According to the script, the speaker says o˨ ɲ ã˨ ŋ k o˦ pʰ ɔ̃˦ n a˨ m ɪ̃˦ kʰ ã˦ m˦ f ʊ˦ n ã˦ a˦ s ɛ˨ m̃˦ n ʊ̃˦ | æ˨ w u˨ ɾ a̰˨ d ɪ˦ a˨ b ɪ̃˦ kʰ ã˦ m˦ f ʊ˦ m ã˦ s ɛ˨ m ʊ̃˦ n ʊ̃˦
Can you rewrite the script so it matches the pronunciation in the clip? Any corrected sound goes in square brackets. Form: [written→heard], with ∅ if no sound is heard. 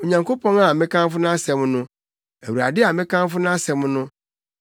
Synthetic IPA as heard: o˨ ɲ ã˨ ŋ k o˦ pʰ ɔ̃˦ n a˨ m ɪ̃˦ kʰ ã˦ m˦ f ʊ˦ n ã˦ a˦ s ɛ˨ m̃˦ n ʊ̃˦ | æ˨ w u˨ ɾ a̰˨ d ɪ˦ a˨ [b→m] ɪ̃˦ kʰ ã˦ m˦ f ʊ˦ [m→n] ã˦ s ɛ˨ m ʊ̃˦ n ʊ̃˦